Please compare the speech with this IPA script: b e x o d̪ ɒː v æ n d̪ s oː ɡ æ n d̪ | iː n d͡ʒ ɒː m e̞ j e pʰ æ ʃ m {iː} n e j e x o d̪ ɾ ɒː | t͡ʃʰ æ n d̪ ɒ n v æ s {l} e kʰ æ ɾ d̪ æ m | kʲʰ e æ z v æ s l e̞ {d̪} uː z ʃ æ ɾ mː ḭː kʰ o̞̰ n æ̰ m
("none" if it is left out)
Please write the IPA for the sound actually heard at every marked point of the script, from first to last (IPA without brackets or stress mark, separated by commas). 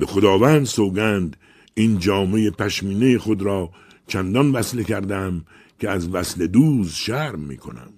iː, l, d̪